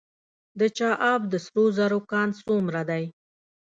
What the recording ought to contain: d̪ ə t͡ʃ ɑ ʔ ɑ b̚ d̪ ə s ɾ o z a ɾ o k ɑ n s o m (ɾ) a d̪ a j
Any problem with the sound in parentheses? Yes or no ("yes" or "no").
no